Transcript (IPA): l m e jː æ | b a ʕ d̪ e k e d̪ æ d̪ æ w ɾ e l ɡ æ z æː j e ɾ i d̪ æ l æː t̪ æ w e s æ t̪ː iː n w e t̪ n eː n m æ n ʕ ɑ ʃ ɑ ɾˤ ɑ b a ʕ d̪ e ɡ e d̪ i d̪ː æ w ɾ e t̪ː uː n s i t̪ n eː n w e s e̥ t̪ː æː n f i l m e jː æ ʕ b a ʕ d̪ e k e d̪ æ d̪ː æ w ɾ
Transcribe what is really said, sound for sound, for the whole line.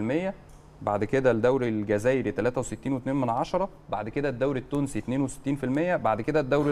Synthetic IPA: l m e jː æ | b a ʕ d̪ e k e d̪ æ d̪ æ w ɾ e l ɡ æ z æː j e ɾ i t̪ æ l æː t̪ æ w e s e t̪ː iː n w e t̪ n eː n m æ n ʕ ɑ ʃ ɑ ɾˤ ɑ b a ʕ d̪ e k e d̪ æ d̪ː æ w ɾ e t̪ː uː n s i t̪ n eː n w e s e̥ t̪ː iː n f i l m e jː æ b a ʕ d̪ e k e d̪ æ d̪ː æ w ɾ